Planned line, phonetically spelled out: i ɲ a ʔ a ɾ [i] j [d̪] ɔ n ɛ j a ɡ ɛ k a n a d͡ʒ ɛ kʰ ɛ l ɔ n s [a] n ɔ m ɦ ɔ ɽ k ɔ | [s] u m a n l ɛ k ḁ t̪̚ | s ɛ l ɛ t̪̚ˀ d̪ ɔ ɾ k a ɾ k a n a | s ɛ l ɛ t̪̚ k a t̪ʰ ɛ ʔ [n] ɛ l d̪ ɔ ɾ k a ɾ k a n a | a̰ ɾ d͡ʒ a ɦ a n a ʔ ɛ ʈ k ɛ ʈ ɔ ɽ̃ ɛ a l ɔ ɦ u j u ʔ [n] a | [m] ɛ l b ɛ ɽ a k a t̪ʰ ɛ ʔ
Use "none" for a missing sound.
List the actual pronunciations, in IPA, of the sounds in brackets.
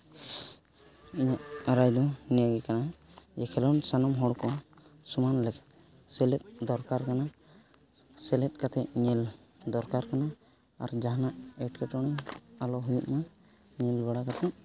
a, d̪, a, s, ɲ, m, ɲ

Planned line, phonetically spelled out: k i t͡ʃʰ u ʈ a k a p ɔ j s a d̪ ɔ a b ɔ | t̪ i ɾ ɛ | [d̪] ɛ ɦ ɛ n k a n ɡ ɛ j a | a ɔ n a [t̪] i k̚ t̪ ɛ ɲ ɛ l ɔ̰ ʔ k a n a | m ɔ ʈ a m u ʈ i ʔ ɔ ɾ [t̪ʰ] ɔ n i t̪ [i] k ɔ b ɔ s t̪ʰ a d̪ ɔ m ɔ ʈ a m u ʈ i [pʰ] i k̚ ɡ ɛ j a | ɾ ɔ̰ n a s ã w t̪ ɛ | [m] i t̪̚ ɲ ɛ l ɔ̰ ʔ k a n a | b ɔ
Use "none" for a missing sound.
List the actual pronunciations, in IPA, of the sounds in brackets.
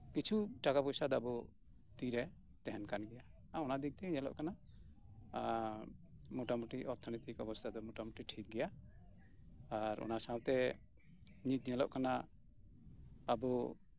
t̪, d̪, t̪ʰ, i, ʈʰ, ɲ

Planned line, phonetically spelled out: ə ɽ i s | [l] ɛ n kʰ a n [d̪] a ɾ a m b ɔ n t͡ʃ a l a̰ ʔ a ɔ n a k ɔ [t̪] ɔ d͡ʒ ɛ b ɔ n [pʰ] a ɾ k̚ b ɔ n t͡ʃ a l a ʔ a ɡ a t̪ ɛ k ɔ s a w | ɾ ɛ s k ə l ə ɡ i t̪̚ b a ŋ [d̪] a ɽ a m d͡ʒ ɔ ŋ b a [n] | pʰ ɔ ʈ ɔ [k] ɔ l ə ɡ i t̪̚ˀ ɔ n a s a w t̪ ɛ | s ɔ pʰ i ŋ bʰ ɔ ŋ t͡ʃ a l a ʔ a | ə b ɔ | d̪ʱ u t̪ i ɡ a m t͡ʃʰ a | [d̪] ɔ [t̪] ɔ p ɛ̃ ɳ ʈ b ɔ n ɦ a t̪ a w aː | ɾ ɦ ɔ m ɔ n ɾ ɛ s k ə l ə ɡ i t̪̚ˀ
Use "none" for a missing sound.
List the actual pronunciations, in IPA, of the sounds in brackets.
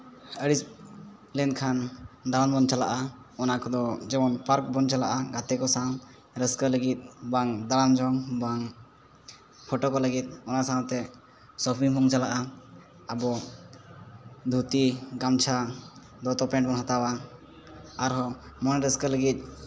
l, d̪, d̪, p, d̪, ŋ, k, d̪, t̪

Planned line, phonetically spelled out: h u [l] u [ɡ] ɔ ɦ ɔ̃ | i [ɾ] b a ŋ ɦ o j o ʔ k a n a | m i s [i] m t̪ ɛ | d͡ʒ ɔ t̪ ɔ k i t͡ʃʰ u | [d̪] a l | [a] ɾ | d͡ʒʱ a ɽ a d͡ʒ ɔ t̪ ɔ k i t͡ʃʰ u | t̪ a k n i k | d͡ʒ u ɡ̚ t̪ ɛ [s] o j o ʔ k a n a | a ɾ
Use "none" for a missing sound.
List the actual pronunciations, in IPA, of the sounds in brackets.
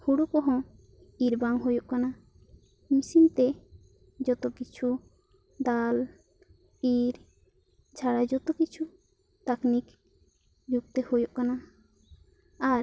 ɽ, k, ɾ, i, d̪, i, h

